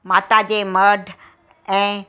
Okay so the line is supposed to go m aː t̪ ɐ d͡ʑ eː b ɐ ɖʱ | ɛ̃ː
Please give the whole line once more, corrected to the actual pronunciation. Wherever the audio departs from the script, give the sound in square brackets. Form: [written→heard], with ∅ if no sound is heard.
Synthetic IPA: m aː t̪ [ɐ→a] d͡ʑ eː [b→m] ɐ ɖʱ | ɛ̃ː

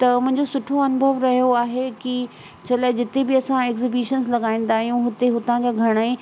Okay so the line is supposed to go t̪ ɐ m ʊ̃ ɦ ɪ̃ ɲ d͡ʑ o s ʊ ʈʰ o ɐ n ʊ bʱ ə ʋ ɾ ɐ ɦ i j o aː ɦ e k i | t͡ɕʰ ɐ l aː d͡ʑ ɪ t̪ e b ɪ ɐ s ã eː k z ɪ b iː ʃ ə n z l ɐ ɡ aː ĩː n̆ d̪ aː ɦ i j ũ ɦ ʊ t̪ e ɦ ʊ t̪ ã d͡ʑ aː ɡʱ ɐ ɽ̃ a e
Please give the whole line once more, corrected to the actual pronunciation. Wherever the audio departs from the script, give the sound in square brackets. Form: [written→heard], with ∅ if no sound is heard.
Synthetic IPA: t̪ ɐ m ʊ̃ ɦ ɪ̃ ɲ d͡ʑ o s ʊ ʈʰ o ɐ n ʊ bʱ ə ʋ ɾ ɐ ɦ i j o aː ɦ e k i | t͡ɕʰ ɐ l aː d͡ʑ ɪ t̪ e b ɪ ɐ s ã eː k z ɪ b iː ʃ ə n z l ɐ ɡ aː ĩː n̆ d̪ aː ɦ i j ũ ɦ ʊ t̪ e ɦ ʊ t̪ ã d͡ʑ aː ɡʱ ɐ ɽ̃ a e

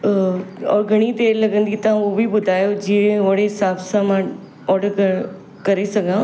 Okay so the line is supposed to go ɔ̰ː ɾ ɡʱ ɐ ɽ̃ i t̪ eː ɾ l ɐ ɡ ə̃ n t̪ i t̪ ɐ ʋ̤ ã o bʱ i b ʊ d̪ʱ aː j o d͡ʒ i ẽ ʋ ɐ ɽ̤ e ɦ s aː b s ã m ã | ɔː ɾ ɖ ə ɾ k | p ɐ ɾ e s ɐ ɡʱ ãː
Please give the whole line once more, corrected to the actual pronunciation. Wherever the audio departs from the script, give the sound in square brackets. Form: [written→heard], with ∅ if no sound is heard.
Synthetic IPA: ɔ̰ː ɾ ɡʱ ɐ ɽ̃ i t̪ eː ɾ l ɐ ɡ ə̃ n [t̪→d̪] i t̪ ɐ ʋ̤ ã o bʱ i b ʊ d̪ʱ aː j o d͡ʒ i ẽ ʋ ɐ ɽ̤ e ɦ s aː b s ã m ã | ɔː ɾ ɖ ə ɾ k | [p→k] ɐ ɾ e s ɐ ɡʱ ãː

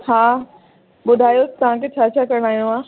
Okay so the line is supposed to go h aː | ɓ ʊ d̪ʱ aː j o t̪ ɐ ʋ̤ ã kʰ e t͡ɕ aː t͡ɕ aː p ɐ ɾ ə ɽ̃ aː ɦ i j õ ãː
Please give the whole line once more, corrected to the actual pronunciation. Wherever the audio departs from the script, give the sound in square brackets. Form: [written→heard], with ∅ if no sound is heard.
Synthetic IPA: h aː | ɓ ʊ d̪ʱ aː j o t̪ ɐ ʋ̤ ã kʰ e [t͡ɕ→t͡ɕʰ] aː [t͡ɕ→t͡ɕʰ] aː [p→k] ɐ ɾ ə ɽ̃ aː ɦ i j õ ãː

